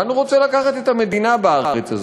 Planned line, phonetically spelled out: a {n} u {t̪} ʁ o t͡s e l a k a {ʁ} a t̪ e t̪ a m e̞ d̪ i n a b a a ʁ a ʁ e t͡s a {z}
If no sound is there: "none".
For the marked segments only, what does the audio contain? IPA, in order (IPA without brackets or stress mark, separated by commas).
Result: n, none, χ, z